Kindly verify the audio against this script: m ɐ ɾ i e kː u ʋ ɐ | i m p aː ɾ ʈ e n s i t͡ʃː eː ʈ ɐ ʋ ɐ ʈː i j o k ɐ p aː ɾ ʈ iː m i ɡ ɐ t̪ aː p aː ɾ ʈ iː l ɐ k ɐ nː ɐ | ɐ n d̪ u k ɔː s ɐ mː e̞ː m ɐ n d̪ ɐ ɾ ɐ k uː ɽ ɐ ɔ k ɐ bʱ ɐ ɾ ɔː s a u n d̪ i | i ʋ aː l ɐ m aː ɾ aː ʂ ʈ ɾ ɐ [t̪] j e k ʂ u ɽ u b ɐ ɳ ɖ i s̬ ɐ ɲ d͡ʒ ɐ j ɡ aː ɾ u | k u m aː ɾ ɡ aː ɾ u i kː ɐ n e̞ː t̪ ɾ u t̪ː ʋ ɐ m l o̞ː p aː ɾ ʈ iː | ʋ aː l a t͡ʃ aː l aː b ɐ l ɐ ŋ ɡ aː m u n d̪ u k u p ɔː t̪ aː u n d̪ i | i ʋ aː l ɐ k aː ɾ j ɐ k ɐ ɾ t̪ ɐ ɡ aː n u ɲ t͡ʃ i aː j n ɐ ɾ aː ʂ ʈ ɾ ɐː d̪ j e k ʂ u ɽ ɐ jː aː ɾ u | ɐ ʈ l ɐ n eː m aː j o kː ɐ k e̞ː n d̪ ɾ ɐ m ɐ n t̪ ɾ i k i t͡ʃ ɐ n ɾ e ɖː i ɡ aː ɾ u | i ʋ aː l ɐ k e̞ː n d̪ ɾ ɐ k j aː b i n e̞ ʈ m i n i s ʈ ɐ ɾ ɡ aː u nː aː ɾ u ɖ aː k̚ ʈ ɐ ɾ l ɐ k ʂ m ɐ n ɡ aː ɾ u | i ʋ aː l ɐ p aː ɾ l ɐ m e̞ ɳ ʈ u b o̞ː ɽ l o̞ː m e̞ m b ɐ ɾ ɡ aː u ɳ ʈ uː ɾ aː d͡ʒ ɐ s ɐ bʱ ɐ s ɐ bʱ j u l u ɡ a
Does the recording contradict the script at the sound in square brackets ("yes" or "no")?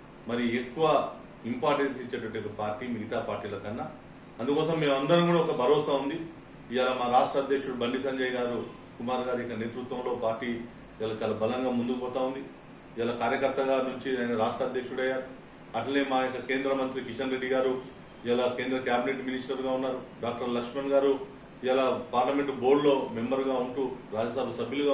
yes